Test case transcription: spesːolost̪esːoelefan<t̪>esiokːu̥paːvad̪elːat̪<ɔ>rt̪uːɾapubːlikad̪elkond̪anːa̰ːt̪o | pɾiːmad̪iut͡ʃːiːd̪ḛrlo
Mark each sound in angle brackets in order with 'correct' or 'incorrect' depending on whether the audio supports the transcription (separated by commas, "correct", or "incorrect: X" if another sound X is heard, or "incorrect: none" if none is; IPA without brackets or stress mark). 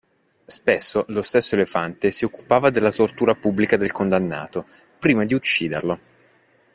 correct, incorrect: o